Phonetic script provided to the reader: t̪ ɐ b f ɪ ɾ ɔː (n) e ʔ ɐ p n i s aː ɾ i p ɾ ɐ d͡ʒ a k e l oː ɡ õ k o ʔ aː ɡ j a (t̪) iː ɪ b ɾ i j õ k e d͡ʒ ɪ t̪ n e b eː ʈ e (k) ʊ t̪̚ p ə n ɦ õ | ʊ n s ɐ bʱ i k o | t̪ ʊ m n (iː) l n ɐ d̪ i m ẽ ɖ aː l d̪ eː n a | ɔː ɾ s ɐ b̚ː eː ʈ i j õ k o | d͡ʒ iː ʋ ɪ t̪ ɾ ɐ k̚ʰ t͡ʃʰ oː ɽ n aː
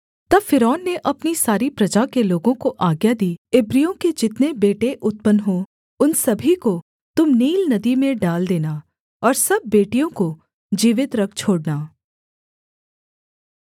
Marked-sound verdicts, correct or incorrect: incorrect: nː, incorrect: d̪, incorrect: ʔ, correct

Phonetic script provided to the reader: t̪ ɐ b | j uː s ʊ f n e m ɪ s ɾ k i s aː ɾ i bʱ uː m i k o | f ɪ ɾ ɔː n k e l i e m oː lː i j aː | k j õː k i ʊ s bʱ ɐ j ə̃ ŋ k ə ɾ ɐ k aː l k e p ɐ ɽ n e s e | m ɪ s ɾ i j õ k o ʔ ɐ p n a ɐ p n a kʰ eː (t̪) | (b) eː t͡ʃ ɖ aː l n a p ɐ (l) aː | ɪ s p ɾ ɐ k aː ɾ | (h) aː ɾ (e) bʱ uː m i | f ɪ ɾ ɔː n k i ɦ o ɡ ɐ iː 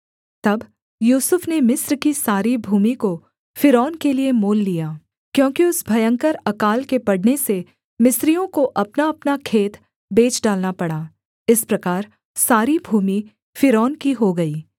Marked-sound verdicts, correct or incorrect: correct, correct, incorrect: ɽ, incorrect: s, incorrect: i

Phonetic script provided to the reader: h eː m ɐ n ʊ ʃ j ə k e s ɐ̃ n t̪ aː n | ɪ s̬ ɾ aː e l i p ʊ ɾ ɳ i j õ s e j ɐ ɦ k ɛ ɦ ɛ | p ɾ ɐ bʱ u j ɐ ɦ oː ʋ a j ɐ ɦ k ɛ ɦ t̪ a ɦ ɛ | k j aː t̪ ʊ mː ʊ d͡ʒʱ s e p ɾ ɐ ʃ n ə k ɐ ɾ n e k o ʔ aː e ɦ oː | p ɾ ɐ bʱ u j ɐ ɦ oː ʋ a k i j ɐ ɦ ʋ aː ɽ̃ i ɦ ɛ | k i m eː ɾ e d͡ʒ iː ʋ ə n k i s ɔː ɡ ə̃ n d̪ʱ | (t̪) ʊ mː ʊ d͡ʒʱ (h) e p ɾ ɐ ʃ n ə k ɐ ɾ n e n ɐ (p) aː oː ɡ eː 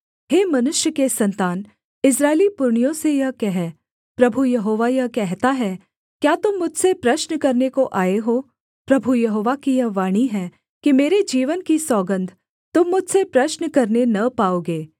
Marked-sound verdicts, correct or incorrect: correct, incorrect: s, correct

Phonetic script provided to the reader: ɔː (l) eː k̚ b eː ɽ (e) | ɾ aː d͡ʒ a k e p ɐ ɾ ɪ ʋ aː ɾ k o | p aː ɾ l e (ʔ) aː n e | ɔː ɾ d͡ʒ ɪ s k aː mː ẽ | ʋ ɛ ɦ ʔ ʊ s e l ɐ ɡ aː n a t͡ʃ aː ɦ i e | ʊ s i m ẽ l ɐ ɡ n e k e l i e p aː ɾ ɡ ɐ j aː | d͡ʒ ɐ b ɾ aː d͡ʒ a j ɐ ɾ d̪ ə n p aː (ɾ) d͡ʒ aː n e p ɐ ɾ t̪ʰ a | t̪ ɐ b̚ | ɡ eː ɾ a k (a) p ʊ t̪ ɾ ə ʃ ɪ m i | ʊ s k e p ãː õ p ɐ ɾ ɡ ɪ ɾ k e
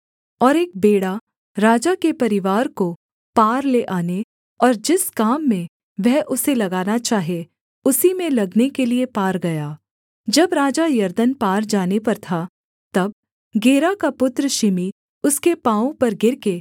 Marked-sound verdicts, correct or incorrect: incorrect: ɾ, incorrect: a, correct, correct, correct

